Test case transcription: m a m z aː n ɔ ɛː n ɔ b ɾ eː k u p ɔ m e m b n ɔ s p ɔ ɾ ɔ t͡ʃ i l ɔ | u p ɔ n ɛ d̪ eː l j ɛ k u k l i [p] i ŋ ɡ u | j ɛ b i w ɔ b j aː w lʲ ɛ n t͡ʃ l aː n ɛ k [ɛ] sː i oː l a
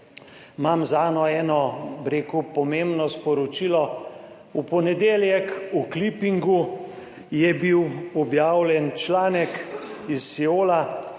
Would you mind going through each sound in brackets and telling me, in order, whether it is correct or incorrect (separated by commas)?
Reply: correct, incorrect